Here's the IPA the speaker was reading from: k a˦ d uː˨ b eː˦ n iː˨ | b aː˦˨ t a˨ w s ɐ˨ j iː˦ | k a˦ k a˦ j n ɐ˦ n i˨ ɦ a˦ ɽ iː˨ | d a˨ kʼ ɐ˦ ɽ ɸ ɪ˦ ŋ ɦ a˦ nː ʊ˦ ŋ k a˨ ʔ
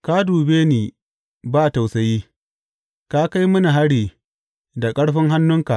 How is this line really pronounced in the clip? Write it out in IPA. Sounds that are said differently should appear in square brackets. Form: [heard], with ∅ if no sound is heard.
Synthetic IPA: k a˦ d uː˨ b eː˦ n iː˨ | b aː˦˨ t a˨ w s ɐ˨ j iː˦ | k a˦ k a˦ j [m] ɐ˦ n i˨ ɦ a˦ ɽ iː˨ | d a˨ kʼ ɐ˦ ɽ ɸ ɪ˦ ŋ ɦ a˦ nː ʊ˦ ŋ k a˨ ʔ

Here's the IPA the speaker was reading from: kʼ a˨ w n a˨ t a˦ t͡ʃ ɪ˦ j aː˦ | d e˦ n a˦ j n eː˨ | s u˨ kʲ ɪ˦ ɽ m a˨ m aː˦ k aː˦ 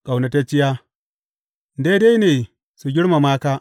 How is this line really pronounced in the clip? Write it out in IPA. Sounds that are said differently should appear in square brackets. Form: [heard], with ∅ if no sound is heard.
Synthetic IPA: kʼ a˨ w n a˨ t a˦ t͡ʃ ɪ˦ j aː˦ | d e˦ [d] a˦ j n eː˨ | s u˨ [ɡʲ] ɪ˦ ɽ m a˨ m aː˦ k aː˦

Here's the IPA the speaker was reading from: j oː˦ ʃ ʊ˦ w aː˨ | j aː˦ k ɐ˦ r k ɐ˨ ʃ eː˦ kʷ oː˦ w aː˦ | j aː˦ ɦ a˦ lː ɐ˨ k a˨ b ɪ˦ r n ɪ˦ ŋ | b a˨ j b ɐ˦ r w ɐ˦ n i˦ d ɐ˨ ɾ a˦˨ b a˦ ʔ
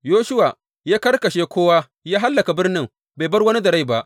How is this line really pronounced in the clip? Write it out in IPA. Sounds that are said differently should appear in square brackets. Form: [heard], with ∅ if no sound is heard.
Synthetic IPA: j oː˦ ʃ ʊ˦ w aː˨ | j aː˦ k ɐ˦ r k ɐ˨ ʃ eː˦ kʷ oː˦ w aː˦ | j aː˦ ɦ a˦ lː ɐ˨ k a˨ b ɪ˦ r n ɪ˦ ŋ | b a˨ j b ɐ˦ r w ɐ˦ n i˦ d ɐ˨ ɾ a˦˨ b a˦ ʔ

